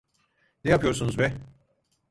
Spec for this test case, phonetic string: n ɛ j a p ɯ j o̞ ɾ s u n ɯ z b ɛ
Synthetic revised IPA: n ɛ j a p ɯ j o̞ ɾ s u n u z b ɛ